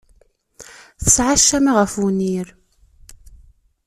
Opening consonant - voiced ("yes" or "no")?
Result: no